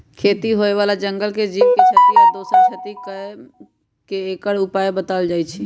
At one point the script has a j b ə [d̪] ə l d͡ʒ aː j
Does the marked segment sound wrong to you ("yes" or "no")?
yes